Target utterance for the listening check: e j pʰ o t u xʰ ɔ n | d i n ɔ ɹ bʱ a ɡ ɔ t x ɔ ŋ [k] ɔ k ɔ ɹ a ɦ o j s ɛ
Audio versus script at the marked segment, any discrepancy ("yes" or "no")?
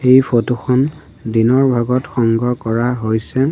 yes